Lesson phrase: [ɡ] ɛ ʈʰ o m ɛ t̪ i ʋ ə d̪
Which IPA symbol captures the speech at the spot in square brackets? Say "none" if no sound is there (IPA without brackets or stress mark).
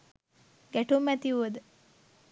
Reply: ɡ